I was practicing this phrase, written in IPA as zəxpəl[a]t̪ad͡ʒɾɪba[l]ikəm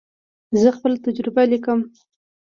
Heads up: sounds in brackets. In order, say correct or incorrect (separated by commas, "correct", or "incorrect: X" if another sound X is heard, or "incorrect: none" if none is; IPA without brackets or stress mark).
correct, correct